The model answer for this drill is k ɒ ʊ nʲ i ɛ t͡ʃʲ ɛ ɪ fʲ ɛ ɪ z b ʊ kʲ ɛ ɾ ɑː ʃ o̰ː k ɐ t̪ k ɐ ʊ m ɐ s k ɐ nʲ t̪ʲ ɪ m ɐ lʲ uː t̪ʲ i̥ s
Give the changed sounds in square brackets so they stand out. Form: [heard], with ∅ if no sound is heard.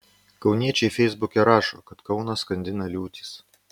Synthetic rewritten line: k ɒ ʊ nʲ i ɛ t͡ʃʲ ɛ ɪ fʲ ɛ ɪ z b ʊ kʲ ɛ ɾ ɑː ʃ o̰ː k ɐ t̪ k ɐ ʊ [n] ɐ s k ɐ nʲ [d̪ʲ] ɪ [n] ɐ lʲ uː t̪ʲ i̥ s